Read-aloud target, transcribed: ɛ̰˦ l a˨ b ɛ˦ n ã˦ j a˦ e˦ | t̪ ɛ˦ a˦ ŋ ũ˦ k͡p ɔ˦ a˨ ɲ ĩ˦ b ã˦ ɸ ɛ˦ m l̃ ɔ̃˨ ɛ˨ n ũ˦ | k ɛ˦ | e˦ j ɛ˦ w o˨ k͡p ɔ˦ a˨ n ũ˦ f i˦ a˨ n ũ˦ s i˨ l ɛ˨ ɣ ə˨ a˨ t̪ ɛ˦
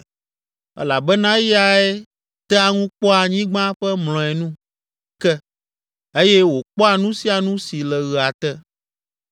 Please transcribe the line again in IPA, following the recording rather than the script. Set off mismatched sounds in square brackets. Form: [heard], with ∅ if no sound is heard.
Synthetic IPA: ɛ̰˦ l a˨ b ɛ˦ n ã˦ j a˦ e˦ | t̪ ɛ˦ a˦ ŋ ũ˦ k͡p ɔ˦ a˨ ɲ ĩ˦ [ɡ͡b] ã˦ ɸ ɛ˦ m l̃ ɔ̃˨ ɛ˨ n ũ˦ | k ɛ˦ | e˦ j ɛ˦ w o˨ k͡p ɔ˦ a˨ n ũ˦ [s] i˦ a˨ n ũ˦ s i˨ l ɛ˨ ɣ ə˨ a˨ t̪ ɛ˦